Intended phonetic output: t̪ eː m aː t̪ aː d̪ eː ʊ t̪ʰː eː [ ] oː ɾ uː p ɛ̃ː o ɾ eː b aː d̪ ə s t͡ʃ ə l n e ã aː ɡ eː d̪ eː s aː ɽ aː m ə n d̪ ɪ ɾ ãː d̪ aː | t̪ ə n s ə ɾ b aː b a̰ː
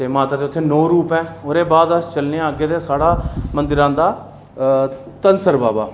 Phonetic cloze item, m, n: n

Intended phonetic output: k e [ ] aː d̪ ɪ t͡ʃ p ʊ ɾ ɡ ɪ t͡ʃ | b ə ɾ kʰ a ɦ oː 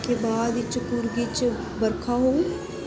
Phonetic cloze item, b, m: b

